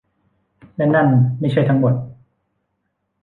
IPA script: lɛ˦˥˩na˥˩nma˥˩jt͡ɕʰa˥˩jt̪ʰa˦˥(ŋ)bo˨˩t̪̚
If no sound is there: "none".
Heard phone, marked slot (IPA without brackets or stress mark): ŋ